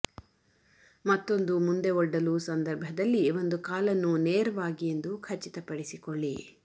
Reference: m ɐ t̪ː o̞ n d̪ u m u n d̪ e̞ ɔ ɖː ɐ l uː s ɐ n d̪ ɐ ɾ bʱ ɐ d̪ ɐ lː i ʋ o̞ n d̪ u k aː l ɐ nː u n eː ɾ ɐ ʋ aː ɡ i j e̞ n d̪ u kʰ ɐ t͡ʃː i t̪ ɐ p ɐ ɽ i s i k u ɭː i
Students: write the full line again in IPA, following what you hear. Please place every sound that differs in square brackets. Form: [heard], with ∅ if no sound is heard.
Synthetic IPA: m ɐ t̪ː o̞ n d̪ u m u n d̪ e̞ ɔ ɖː ɐ l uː s ɐ n d̪ ɐ ɾ bʱ ɐ d̪ ɐ lː i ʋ o̞ n d̪ u k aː l ɐ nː u n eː ɾ ɐ ʋ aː ɡ i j e̞ n d̪ u kʰ ɐ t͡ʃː i t̪ ɐ p ɐ ɽ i s i k [o] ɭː i